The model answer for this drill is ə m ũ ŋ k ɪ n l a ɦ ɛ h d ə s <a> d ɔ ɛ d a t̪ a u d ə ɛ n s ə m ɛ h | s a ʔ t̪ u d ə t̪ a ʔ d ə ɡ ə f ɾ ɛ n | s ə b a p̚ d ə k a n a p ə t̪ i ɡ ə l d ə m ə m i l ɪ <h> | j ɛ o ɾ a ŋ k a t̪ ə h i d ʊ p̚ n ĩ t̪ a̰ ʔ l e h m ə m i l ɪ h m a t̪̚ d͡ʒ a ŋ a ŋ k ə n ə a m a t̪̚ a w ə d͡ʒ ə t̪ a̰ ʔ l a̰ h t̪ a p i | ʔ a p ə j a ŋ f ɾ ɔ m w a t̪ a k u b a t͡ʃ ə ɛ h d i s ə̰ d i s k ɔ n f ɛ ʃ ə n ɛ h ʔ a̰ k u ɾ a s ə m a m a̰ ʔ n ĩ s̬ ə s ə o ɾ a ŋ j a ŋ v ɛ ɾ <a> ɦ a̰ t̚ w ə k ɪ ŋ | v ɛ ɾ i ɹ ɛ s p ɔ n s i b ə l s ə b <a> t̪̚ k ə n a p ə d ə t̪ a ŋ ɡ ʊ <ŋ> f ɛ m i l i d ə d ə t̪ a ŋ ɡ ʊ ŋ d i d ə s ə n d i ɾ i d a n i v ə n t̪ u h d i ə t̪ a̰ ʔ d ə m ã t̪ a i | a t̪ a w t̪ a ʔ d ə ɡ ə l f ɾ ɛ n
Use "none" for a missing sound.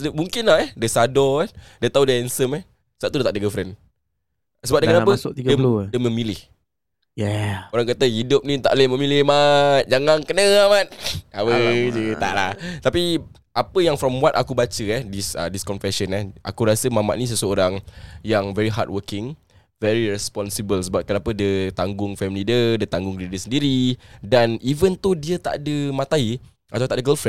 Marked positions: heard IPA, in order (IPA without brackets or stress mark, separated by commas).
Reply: a, h, i, a, ŋ